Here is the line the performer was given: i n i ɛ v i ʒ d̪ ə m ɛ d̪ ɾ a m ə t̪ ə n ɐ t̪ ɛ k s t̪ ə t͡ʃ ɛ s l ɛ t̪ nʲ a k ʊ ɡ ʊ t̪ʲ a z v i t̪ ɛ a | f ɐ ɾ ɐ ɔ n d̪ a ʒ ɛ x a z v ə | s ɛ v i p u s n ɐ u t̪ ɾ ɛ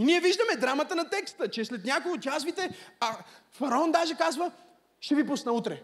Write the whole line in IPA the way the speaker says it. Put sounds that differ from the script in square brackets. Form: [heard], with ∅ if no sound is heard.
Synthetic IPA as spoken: i n i ɛ v i ʒ d̪ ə m ɛ d̪ ɾ a m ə t̪ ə n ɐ t̪ ɛ k s t̪ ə t͡ʃ ɛ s l ɛ t̪ nʲ a k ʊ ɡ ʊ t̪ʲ a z v i t̪ ɛ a | f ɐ ɾ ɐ ɔ n d̪ a ʒ ɛ [k] a z v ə | [ʃ] ɛ v i p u s n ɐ u t̪ ɾ ɛ